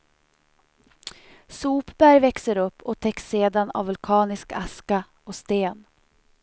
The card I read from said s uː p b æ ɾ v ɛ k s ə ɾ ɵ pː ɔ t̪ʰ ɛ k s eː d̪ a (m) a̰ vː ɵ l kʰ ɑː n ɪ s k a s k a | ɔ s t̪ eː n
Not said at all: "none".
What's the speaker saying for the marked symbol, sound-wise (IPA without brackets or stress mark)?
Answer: n